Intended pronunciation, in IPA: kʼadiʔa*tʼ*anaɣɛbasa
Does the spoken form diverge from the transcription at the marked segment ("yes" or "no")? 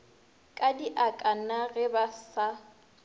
yes